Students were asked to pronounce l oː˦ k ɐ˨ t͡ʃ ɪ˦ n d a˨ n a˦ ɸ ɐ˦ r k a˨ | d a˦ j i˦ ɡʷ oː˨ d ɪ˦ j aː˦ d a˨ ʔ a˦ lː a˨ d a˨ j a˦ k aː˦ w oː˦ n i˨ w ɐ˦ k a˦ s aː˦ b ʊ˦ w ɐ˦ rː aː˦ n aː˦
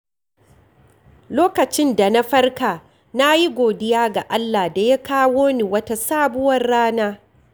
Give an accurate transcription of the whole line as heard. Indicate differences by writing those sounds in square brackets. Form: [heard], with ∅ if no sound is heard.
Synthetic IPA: l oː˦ k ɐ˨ t͡ʃ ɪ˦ n d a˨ n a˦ ɸ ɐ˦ r k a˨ | [n] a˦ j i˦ ɡʷ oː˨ d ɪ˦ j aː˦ [ɡ] a˨ ʔ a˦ lː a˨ d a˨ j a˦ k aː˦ w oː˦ n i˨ w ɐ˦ [t] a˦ s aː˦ b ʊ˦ w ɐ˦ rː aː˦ n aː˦